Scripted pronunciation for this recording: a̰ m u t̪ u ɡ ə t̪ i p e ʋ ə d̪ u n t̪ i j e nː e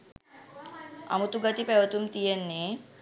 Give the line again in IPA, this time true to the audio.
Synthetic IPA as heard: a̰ m u t̪ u ɡ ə t̪ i p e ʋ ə t̪ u m t̪ i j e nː e